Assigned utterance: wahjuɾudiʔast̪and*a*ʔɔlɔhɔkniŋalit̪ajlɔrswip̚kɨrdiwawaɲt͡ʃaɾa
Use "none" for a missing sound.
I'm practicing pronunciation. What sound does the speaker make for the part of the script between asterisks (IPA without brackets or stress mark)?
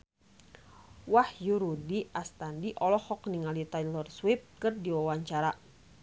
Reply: i